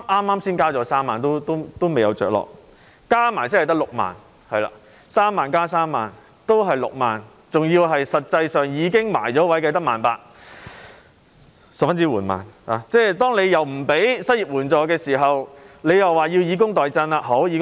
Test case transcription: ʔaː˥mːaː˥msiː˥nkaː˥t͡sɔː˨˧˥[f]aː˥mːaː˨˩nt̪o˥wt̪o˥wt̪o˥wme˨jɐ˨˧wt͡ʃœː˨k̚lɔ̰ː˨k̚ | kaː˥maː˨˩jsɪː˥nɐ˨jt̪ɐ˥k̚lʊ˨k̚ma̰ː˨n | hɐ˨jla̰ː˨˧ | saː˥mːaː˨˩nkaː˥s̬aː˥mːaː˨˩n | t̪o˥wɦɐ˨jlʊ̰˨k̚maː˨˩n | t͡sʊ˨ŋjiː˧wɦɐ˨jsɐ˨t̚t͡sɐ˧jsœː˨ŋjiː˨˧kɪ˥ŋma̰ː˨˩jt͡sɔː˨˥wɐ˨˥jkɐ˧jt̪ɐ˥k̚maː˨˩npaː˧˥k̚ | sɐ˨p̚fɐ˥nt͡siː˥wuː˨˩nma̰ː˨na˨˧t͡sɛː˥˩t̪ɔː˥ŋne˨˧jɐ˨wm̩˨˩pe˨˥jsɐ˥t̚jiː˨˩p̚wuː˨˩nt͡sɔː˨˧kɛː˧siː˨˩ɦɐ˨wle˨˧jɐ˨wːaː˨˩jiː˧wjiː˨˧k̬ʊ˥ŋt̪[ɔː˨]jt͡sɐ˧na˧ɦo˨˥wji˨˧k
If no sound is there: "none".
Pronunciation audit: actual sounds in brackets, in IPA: s, ɔː˨

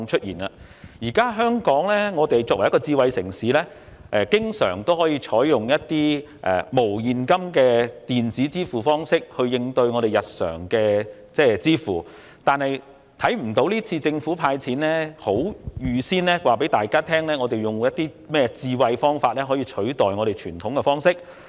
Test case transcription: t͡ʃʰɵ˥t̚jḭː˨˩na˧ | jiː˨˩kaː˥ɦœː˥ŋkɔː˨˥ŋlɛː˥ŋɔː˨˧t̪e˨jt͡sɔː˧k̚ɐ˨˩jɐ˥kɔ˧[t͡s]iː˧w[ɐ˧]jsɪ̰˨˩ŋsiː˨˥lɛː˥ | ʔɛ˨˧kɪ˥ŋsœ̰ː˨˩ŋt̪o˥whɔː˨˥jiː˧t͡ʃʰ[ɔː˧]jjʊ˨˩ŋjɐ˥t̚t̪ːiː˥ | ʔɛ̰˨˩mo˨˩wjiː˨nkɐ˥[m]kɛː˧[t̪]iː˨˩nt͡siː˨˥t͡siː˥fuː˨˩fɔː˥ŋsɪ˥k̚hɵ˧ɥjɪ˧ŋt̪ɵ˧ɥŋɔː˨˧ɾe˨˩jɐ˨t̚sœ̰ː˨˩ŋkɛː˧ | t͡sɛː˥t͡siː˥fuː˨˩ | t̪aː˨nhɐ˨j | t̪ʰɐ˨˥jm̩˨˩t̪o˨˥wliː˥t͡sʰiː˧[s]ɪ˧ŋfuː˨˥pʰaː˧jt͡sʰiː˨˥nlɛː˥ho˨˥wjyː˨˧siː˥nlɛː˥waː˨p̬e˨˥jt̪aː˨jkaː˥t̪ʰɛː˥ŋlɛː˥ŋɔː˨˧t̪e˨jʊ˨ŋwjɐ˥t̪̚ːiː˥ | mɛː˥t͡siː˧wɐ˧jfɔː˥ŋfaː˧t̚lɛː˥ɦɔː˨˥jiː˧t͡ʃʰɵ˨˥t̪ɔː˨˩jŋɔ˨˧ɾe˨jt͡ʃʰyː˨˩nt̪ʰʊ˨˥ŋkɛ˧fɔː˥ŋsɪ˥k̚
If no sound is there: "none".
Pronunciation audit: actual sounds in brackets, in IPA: t͡s, ɐ˧, ɔː˨˥, m, t̪, t͡s

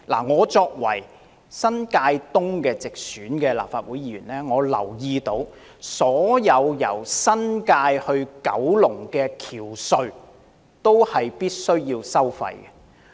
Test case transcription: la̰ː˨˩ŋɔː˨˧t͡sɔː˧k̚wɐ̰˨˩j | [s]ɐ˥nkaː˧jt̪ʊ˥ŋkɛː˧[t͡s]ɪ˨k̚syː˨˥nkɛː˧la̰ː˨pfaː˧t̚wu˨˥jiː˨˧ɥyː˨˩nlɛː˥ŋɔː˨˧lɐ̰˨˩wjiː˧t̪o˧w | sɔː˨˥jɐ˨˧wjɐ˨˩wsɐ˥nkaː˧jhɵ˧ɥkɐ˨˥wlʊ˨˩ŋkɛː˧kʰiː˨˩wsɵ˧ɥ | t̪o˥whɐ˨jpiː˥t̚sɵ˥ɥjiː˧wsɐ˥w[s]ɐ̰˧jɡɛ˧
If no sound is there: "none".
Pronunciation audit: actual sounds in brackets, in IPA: s, t͡s, f

